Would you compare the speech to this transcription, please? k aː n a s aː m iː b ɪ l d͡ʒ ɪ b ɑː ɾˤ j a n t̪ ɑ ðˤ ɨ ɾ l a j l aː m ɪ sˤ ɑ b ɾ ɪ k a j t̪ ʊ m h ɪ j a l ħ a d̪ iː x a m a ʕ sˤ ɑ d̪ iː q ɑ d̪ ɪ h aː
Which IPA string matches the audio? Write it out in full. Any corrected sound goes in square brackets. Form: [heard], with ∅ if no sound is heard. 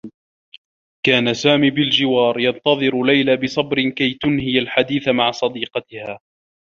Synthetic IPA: k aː n a s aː m iː b ɪ l d͡ʒ ɪ [w] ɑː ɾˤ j [ɑ] n t̪ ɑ ðˤ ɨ ɾ l a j l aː [b] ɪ sˤ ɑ b ɾ ɪ k a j t̪ ʊ [n] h ɪ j a l ħ a d̪ iː [θ] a m a ʕ sˤ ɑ d̪ iː q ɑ [t̪] ɪ h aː